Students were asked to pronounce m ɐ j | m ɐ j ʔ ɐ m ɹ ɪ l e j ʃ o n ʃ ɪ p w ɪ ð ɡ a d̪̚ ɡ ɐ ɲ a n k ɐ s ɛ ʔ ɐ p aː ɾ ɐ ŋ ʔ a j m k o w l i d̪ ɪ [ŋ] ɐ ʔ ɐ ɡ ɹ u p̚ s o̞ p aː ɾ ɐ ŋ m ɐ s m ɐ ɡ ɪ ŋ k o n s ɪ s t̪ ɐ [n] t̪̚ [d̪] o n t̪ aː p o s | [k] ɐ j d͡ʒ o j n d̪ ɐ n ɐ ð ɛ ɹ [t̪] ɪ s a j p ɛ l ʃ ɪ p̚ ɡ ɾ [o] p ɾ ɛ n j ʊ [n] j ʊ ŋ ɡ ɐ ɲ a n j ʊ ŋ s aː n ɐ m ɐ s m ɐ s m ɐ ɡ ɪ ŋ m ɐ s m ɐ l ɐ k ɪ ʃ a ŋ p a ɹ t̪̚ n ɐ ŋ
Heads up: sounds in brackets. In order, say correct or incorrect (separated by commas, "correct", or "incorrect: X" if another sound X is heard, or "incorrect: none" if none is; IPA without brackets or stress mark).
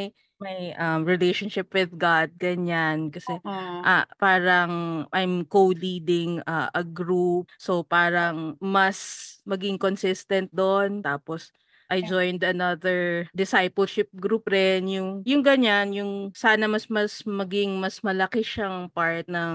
correct, correct, correct, incorrect: ʔ, incorrect: d̪, incorrect: u, incorrect: ŋ